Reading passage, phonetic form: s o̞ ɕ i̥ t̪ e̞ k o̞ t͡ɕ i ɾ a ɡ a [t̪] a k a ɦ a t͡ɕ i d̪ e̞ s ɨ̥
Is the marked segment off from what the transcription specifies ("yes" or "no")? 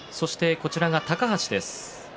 no